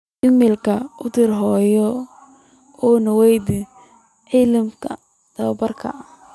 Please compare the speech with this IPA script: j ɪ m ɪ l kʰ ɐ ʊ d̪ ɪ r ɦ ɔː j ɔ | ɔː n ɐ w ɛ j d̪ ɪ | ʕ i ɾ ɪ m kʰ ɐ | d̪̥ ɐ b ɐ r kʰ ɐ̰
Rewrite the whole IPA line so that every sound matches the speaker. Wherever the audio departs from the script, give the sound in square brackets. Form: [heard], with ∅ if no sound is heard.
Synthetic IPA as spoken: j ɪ m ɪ l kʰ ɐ ʊ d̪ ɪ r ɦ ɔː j ɔ | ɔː n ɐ w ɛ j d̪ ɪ | ʕ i [l] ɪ m kʰ ɐ | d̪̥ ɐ b ɐ r kʰ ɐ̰

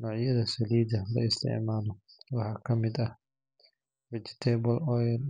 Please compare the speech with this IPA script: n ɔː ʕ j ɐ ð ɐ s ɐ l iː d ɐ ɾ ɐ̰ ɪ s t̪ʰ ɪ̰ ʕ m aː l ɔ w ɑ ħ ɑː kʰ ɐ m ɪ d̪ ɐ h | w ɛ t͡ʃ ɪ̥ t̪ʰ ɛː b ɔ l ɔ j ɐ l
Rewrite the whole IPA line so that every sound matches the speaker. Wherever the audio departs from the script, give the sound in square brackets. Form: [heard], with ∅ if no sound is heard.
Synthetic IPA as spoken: n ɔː ʕ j ɐ ð ɐ s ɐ l iː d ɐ [l] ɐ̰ ɪ s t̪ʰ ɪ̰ ʕ m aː l ɔ w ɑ ħ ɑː kʰ ɐ m ɪ d̪ ɐ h | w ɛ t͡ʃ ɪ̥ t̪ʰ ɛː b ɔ l ɔ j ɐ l

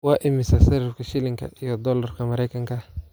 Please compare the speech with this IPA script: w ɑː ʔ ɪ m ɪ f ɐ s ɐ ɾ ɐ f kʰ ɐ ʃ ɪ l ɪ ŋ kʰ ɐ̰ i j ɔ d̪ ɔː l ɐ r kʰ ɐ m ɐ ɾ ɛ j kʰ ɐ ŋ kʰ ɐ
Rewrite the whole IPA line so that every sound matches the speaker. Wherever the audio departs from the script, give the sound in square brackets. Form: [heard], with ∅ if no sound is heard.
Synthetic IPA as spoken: w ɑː ʔ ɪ m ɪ [s] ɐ s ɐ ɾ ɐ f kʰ ɐ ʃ ɪ l ɪ ŋ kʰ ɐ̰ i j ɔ d̪ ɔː l ɐ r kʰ ɐ m ɐ ɾ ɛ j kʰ ɐ ŋ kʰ ɐ

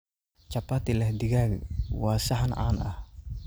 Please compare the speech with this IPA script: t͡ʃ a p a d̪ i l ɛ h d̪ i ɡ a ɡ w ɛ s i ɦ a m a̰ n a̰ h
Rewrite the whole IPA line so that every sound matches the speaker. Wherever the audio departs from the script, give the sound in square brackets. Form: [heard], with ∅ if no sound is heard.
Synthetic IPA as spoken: t͡ʃ a p a [t̪] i l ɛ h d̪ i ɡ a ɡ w [a] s [a] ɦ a [n] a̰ n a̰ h

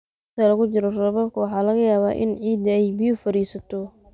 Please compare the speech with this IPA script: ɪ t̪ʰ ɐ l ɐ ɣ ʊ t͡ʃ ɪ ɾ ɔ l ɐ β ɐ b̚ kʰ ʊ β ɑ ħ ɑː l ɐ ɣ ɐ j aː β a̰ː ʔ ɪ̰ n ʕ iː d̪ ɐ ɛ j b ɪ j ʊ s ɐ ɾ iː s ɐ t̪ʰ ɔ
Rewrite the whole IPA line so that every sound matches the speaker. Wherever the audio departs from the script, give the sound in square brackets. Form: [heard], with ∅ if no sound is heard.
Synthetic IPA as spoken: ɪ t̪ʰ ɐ l ɐ ɣ ʊ t͡ʃ ɪ ɾ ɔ [r] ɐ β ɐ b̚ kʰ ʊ [w] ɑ ħ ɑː l ɐ ɣ ɐ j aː β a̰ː ʔ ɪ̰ n ʕ iː d̪ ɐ ɛ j b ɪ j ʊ [f] ɐ ɾ iː s ɐ t̪ʰ ɔ

